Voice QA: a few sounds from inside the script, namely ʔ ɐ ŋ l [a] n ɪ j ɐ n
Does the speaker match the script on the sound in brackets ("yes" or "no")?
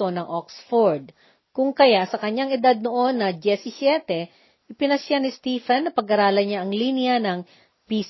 no